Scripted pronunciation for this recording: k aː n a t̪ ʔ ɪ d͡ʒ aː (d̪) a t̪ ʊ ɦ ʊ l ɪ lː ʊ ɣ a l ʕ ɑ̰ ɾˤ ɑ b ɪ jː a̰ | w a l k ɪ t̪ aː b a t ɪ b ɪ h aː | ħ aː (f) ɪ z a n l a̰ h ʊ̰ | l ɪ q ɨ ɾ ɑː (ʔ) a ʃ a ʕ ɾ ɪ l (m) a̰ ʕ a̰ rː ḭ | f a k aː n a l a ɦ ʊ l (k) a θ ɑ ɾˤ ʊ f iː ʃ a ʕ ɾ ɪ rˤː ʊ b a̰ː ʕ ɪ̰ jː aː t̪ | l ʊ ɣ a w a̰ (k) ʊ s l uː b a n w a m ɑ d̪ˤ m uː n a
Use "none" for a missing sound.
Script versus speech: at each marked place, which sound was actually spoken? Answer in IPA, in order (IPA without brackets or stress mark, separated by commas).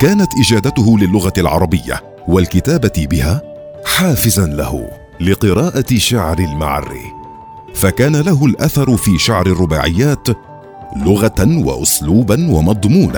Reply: d̪, f, ʔ, m, ʔ, ʔ